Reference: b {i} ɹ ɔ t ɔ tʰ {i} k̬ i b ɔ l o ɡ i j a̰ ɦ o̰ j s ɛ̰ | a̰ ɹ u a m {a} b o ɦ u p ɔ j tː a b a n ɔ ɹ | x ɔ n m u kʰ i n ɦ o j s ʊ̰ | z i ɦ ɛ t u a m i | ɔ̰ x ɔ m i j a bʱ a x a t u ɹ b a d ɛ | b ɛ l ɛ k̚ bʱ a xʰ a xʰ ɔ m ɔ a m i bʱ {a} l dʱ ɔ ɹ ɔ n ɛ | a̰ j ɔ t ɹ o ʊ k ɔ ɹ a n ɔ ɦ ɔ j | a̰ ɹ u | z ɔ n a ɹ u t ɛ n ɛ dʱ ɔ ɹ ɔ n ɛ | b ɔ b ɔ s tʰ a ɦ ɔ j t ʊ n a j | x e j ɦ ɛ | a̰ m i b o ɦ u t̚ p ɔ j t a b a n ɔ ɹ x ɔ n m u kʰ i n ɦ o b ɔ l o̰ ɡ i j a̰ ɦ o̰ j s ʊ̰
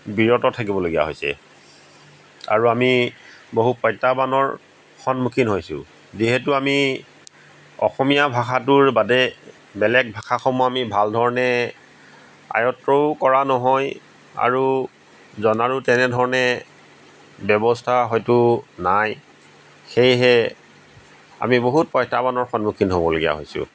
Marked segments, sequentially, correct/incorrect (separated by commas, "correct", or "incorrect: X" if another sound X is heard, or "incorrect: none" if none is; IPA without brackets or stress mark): correct, incorrect: a, incorrect: i, correct